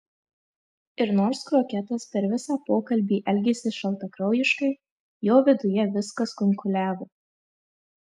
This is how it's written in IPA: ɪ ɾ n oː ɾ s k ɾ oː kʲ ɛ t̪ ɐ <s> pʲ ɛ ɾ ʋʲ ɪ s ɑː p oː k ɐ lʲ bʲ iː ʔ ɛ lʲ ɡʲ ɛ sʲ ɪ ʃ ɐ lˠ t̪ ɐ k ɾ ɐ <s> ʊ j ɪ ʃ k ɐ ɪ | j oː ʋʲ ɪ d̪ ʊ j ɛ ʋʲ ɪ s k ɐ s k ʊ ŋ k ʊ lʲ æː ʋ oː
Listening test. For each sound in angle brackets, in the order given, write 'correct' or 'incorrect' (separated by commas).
correct, incorrect